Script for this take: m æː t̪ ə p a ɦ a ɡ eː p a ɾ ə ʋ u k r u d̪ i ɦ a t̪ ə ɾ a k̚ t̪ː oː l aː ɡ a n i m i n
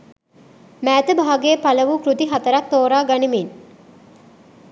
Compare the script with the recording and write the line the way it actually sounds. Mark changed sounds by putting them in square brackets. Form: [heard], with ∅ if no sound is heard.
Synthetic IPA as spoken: m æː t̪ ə [b] a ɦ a ɡ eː p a [l] ə ʋ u k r u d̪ i ɦ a t̪ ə ɾ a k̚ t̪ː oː [ɾ] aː ɡ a n i m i n